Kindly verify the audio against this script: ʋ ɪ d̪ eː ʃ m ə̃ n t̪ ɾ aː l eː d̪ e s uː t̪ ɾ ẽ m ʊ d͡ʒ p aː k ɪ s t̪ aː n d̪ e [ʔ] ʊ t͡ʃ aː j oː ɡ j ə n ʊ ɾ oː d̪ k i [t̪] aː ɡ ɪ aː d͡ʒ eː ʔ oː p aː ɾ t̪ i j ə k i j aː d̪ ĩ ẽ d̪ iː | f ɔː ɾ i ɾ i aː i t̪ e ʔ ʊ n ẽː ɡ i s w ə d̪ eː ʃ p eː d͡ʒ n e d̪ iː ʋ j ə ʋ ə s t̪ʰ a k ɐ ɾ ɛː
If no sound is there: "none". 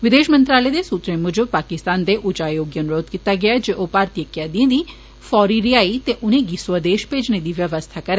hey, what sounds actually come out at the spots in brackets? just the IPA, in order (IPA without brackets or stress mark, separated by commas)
ʔ, t̪